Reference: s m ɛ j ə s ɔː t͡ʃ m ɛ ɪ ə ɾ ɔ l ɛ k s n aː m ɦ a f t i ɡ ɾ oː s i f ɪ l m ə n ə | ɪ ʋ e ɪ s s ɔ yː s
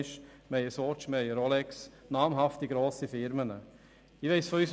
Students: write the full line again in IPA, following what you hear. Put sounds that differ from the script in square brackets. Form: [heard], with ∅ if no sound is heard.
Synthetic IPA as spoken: [ʃ] m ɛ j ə s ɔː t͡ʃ m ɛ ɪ ə ɾ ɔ l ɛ k s n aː m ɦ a f t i ɡ ɾ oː s i f ɪ [ɾ] m ə n ə | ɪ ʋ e ɪ s [f] ɔ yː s